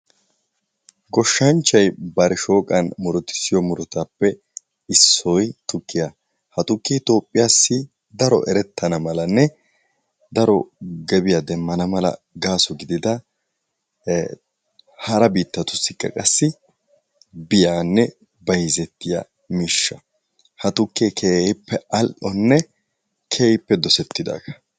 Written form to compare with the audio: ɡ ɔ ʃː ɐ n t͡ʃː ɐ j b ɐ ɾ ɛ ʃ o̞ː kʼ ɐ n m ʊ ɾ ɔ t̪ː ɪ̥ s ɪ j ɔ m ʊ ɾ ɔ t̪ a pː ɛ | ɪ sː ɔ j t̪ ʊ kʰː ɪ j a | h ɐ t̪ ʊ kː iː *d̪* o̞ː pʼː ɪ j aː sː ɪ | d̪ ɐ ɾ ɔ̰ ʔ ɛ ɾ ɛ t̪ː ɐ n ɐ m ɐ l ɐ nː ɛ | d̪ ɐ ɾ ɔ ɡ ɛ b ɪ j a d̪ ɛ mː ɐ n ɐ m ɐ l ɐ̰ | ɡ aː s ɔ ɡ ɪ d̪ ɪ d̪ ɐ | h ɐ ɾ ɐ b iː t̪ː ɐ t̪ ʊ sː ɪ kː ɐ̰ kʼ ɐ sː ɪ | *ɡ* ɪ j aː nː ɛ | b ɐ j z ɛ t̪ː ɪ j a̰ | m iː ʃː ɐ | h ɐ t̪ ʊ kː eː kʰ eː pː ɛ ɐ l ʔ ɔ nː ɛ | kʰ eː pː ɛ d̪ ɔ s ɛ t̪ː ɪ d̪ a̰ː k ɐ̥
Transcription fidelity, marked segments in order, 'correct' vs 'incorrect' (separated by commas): incorrect, incorrect